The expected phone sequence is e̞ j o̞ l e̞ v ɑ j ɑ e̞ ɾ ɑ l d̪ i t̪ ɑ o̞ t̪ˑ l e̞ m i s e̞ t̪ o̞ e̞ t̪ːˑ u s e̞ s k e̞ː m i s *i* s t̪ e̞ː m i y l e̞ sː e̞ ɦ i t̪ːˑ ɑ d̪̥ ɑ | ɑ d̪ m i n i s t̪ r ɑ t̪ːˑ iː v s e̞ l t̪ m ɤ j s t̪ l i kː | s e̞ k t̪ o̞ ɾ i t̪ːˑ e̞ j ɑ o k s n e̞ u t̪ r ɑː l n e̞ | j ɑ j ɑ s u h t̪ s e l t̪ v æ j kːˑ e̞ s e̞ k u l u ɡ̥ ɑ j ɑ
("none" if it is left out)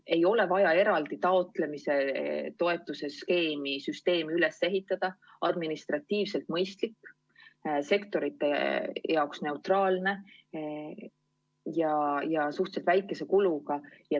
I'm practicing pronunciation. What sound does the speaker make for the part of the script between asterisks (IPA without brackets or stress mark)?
y